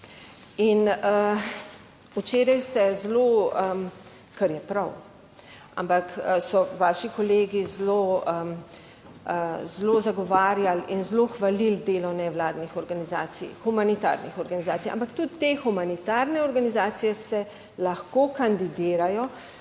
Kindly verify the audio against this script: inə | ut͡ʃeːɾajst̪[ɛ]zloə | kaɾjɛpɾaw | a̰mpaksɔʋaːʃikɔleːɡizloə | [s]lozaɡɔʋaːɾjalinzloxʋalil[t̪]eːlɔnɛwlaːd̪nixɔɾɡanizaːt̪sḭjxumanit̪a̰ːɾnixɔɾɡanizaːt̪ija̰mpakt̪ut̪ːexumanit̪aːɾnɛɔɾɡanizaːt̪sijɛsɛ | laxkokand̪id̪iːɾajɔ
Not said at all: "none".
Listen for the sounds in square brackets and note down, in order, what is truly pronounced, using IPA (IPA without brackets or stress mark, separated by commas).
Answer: ɛ, z, d̪